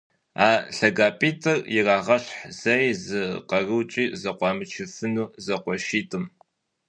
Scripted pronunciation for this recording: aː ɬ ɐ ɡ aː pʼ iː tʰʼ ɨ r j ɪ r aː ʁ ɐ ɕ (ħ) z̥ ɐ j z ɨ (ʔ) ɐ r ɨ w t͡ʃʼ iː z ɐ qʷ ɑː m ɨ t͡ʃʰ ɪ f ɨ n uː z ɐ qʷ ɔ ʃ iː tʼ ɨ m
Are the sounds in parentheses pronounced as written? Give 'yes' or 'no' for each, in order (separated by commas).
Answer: yes, no